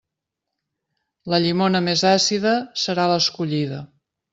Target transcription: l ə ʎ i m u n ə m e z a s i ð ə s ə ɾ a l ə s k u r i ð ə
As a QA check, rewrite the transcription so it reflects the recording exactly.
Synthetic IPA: l ə ʎ i m o n ə m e z a s i ð ə s ə ɾ a l ə s k u ʎ i ð ə